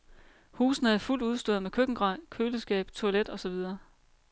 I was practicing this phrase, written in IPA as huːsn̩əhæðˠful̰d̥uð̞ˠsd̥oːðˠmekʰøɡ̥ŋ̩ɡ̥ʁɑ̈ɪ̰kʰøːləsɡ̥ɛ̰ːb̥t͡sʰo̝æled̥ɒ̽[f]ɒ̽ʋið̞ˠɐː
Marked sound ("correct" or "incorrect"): incorrect